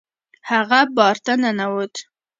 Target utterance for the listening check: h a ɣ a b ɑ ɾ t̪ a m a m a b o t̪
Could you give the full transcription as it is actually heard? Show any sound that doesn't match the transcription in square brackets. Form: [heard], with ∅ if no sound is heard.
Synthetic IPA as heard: h a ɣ a b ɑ ɾ t̪ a [n] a [n] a [w] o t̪